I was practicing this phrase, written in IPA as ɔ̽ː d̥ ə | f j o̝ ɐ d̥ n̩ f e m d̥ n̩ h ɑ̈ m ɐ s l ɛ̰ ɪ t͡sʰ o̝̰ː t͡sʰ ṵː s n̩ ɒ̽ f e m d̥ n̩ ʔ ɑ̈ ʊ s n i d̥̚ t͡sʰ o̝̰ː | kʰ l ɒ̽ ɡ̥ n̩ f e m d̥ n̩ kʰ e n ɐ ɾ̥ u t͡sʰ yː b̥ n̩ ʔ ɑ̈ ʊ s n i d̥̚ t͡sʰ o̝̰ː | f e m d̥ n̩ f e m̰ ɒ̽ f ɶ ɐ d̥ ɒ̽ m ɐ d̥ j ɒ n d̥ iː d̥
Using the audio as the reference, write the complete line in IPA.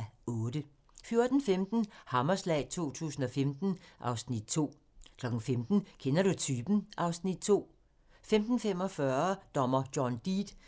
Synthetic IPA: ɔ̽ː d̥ ə | f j o̝ ɐ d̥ n̩ f e m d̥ n̩ h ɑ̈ m ɐ s l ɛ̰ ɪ t͡sʰ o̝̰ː t͡sʰ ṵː s n̩ ɒ̽ f e m d̥ n̩ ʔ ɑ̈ ʊ s n i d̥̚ t͡sʰ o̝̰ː | kʰ l ɒ̽ ɡ̥ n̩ f e m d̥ n̩ kʰ e n ɐ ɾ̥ u t͡sʰ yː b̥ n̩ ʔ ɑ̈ ʊ s n i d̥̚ t͡sʰ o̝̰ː | f e m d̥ n̩ f e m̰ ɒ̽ f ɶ ɐ d̥ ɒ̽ m ɐ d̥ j ɒ n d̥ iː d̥

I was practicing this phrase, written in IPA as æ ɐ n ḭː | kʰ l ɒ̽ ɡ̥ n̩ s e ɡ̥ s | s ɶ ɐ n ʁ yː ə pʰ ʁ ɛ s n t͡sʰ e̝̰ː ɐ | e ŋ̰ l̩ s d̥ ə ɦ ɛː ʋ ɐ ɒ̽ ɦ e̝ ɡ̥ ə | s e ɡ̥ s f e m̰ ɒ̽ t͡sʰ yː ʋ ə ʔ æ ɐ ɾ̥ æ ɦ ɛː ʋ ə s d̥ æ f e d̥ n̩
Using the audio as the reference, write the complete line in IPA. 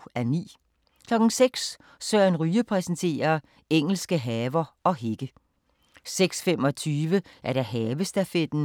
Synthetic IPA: æ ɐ n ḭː | kʰ l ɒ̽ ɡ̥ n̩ s e ɡ̥ s | s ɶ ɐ n ʁ yː ə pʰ ʁ ɛ s n t͡sʰ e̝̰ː ɐ | e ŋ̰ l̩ s ɡ̥ ə ɦ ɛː ʋ ɐ ɒ̽ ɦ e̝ ɡ̥ ə | s e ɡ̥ s f e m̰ ɒ̽ t͡sʰ yː ʋ ə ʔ æ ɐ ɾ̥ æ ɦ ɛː ʋ ə s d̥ æ f e d̥ n̩

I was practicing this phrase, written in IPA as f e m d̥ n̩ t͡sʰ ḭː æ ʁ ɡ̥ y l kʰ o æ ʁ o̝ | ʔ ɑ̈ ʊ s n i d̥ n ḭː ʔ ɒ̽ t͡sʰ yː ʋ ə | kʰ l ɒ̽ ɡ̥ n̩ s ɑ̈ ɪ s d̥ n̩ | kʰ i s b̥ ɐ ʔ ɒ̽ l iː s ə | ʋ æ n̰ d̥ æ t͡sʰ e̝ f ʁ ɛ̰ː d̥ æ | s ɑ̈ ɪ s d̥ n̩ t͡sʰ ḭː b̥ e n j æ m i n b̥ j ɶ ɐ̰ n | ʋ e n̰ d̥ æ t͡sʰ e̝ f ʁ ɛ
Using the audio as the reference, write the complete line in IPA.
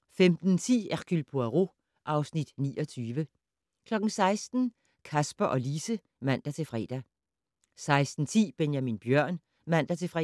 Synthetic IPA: f e m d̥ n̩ t͡sʰ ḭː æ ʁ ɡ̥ y l pʰ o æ ʁ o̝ | ʔ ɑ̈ ʊ s n i d̥ n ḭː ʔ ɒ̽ t͡sʰ yː ʋ ə | kʰ l ɒ̽ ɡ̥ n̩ s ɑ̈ ɪ s d̥ n̩ | kʰ æ s b̥ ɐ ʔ ɒ̽ l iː s ə | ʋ æ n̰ d̥ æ t͡sʰ e̝ f ʁ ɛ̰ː d̥ æ | s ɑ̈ ɪ s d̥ n̩ t͡sʰ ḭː b̥ e n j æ m i n b̥ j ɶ ɐ̰ n | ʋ æ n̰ d̥ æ t͡sʰ e̝ f ʁ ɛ

